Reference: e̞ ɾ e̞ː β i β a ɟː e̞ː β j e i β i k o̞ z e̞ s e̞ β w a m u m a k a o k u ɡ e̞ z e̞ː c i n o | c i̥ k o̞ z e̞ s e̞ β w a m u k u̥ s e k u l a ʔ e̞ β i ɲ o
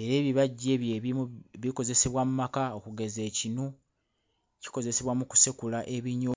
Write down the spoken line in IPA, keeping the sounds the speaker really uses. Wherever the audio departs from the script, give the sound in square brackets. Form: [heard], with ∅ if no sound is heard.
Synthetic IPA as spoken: e̞ ɾ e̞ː β i β a ɟː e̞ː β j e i β i k o̞ z e̞ s e̞ β w a m u m a k a o k u ɡ e̞ z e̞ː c i n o | c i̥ k o̞ z e̞ s e̞ β w a m u k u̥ s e k u l a ʔ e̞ β i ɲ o